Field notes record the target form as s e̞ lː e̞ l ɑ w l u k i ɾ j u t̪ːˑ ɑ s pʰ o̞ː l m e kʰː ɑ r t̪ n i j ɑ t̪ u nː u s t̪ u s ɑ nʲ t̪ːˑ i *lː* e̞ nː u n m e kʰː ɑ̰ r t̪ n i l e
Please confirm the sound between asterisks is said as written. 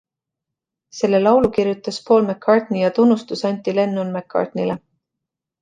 no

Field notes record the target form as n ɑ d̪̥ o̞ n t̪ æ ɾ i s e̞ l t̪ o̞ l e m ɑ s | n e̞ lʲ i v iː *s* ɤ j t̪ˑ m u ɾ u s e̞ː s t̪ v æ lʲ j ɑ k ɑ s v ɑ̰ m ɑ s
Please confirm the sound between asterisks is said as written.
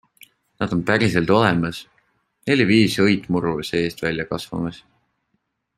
yes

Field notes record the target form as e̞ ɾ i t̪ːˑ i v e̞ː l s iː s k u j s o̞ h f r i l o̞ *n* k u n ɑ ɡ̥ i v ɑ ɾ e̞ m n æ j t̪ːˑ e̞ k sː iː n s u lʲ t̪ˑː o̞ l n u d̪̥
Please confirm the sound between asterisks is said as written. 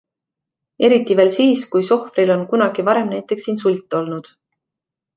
yes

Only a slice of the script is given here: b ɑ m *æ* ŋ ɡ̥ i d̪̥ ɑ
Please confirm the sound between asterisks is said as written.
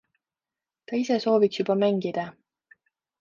yes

